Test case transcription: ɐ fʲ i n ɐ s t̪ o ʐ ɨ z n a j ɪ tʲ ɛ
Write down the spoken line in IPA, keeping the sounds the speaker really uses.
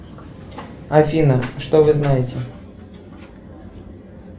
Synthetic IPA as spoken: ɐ fʲ i n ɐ ʂ t̪ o v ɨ z n a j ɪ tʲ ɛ